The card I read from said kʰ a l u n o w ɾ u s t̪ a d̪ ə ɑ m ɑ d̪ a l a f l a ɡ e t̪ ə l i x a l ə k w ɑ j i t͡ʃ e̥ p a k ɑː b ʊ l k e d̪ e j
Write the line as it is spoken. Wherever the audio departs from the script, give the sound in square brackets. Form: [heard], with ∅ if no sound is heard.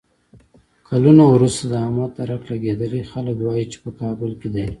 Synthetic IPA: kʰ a l u n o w ɾ u s t̪ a d̪ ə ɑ m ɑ [t̪] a [ɾ] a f l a ɡ e [d̪] ə l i x a l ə k w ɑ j i t͡ʃ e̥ p [ə] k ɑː b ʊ l k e d̪ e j